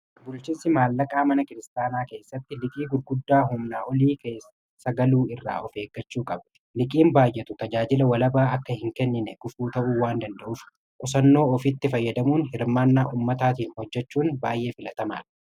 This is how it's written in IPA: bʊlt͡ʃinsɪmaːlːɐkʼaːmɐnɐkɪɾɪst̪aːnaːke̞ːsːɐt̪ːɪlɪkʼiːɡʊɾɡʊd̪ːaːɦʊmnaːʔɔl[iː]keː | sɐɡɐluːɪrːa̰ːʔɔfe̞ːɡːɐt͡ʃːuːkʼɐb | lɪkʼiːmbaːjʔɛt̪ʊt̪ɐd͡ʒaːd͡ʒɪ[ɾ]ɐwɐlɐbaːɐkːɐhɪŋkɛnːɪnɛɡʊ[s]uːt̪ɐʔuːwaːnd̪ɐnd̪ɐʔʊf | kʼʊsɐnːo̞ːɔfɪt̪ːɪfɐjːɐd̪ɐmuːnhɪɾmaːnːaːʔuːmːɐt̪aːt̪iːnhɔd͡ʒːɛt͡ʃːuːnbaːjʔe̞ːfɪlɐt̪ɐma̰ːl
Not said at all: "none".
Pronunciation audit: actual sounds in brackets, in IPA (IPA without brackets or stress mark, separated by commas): iː, l, f